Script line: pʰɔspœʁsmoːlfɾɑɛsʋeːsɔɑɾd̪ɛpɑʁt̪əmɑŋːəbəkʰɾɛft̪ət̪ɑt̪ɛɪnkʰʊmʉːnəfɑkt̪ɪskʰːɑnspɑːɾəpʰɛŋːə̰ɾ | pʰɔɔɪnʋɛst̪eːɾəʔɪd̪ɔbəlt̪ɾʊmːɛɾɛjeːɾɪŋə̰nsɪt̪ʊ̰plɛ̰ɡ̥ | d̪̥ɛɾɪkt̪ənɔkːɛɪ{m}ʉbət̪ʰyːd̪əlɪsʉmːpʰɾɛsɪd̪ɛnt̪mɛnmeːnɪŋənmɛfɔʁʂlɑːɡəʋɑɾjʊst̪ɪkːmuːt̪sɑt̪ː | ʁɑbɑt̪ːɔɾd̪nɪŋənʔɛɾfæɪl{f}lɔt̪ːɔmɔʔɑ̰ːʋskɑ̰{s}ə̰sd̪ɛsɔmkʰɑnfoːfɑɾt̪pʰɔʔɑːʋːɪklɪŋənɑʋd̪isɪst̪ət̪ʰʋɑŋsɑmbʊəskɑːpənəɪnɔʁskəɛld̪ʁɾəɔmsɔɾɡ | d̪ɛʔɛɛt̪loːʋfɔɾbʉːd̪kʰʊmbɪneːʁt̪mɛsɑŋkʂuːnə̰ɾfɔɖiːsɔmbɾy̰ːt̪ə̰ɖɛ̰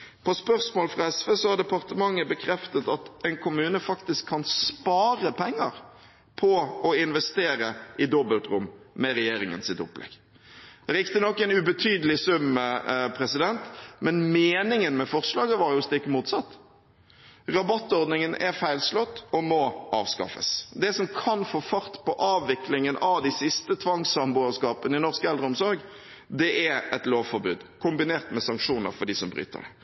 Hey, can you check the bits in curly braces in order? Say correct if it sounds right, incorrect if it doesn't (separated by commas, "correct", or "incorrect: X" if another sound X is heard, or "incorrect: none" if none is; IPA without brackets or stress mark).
incorrect: n, incorrect: s, incorrect: f